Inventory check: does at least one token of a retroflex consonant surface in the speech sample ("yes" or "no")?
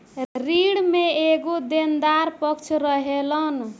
yes